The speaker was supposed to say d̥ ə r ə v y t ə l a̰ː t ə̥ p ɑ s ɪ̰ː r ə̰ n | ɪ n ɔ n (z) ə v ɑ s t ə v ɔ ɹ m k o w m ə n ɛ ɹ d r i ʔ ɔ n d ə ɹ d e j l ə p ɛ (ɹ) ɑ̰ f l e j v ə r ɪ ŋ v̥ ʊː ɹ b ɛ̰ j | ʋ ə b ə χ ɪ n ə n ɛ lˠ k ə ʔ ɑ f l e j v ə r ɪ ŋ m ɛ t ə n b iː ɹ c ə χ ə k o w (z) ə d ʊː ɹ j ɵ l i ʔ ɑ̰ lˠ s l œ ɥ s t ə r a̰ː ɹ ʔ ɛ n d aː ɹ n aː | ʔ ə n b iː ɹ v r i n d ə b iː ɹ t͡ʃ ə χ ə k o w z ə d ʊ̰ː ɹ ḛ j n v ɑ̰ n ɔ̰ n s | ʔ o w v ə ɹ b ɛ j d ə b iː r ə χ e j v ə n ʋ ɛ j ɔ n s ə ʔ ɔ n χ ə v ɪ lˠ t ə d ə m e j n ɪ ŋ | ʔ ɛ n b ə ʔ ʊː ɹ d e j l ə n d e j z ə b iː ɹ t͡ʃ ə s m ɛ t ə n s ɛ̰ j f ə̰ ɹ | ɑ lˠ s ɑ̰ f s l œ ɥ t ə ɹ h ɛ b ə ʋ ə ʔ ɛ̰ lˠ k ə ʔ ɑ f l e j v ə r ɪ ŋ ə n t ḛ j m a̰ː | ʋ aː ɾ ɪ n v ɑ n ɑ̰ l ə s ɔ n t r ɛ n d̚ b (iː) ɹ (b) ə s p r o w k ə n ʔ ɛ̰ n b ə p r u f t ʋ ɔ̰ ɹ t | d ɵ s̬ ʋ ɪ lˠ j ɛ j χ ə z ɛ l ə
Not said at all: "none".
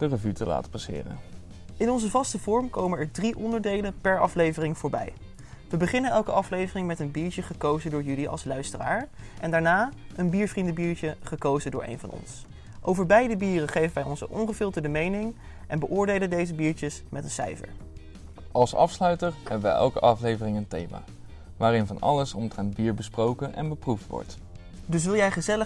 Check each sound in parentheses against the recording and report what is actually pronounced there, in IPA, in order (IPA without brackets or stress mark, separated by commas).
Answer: z, ɹ, z, iː, b